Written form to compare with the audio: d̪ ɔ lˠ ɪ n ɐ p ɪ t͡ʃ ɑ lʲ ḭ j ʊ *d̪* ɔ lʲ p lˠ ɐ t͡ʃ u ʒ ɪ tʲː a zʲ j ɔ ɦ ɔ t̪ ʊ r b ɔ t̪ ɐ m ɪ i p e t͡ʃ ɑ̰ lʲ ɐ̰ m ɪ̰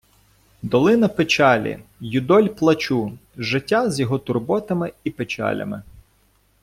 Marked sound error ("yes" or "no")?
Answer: no